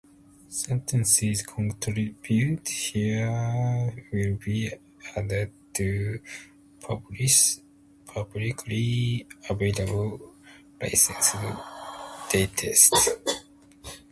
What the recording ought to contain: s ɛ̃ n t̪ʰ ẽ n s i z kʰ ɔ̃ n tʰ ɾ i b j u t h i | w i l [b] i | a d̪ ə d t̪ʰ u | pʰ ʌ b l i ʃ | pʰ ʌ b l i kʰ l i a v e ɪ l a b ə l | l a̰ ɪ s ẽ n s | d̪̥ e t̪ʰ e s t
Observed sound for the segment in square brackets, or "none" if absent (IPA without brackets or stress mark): b